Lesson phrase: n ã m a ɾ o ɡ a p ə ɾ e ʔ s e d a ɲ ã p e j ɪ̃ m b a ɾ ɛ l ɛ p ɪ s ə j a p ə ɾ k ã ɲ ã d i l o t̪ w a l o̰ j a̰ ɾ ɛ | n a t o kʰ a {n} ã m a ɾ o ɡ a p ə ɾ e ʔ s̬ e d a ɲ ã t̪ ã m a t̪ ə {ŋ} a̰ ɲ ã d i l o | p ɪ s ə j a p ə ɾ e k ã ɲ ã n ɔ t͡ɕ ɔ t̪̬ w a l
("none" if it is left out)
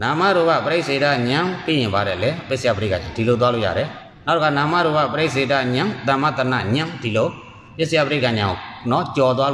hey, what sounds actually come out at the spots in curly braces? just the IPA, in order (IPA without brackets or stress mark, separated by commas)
n, n